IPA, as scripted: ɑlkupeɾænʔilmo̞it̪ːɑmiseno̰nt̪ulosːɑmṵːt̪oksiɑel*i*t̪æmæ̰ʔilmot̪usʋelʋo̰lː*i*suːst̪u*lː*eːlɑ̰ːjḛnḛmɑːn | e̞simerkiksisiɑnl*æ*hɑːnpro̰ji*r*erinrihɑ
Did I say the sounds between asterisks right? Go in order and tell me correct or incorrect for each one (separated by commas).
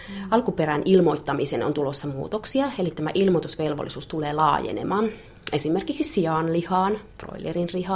correct, correct, incorrect, incorrect, incorrect